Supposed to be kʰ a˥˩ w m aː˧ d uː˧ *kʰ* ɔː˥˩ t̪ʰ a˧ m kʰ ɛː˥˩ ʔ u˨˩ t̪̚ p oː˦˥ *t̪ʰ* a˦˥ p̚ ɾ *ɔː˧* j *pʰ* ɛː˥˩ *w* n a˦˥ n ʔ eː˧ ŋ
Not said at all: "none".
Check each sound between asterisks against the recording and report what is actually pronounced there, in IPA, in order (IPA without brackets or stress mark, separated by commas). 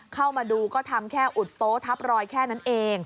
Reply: k, t̪ʰ, ɔː˧, kʰ, none